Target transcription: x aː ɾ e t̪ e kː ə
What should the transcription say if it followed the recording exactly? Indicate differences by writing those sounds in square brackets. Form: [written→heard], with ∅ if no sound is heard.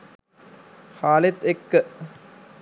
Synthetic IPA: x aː [ɾ→l] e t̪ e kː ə